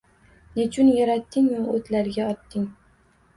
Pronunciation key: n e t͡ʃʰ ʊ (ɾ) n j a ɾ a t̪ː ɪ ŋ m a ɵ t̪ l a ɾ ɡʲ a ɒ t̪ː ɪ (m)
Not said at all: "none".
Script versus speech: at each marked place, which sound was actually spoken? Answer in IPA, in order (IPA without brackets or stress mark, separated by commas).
none, ŋ